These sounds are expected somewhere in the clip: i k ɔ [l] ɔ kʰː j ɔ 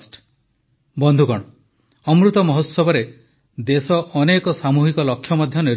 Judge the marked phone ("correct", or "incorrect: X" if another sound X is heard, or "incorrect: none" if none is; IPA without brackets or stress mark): correct